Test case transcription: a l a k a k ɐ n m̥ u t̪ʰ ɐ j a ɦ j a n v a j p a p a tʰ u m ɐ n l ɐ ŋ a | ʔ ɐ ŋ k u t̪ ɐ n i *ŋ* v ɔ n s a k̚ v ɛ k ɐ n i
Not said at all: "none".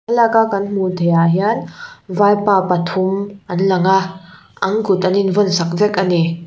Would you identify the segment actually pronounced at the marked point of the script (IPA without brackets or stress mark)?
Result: n